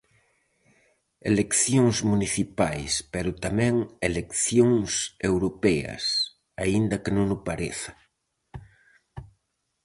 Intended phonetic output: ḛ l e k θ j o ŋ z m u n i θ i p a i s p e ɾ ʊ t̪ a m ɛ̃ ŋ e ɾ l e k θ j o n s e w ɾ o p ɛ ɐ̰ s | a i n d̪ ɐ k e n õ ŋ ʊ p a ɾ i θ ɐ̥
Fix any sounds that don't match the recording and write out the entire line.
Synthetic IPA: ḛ l e k θ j o ŋ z m u n i θ i p a j s p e ɾ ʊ t̪ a m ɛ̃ ŋ e l e k θ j o ŋ s e w ɾ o p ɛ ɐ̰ s | a i n d̪ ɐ k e n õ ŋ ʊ p a ɾ e θ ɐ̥